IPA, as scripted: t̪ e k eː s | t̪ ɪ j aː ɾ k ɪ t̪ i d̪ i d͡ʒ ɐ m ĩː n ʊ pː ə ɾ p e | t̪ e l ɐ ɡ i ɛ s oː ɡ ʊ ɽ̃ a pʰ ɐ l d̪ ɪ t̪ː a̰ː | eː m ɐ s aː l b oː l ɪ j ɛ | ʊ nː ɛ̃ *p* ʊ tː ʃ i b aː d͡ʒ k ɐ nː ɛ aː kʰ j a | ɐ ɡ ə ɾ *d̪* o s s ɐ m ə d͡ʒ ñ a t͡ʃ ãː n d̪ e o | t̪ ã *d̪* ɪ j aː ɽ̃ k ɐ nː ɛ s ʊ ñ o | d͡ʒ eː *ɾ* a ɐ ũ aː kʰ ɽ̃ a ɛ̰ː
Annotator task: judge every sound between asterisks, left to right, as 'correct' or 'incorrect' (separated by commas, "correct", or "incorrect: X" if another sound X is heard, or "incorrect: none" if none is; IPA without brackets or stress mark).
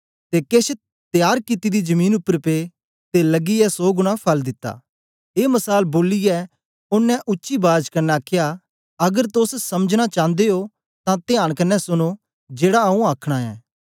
incorrect: ʔ, incorrect: t̪, incorrect: t̪, incorrect: ɽ